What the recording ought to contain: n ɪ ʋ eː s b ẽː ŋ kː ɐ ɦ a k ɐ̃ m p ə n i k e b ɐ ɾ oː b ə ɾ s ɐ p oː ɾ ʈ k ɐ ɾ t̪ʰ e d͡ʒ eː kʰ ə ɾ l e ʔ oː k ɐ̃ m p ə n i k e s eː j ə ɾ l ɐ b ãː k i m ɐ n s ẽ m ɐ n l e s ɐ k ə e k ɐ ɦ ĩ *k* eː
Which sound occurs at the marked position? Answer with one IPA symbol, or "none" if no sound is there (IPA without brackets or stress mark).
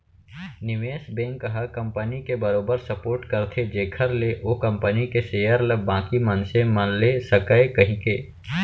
k